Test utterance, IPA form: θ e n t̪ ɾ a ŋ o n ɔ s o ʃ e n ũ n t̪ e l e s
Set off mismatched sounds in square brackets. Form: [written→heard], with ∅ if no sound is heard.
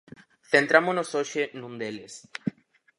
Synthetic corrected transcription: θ e n t̪ ɾ a [ŋ→m] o n [ɔ→o] s o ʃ e n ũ n [t̪→d̪] e l e s